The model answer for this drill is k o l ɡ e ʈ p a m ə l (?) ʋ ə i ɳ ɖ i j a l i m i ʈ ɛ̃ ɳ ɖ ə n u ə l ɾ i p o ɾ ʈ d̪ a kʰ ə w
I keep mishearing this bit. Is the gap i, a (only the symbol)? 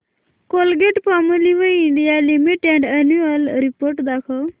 i